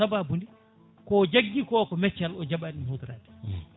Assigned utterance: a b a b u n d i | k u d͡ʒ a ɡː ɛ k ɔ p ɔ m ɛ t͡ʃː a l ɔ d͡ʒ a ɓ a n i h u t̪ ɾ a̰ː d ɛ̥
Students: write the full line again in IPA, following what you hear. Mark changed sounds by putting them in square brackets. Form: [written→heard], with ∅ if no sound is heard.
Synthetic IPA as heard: a b a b u n d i | k [u→ɔ] d͡ʒ a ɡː [ɛ→i] k ɔ [p→k] ɔ m ɛ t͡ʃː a l ɔ d͡ʒ a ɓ a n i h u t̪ ɾ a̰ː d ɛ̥